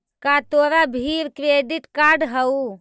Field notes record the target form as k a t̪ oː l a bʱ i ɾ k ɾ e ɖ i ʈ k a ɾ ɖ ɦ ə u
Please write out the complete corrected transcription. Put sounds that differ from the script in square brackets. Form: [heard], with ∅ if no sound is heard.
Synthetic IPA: k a t̪ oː [ɾ] a bʱ i ɾ k ɾ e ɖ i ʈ k a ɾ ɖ ɦ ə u